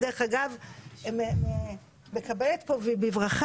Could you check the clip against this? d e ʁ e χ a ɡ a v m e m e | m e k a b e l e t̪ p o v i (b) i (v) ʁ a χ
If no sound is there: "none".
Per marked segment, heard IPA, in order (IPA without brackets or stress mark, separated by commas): b, v